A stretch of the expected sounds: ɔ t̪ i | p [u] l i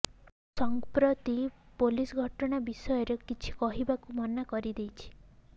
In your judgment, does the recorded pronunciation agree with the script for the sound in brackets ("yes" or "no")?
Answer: no